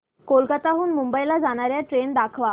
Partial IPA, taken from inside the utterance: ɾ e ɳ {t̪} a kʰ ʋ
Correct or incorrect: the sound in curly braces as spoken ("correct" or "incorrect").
incorrect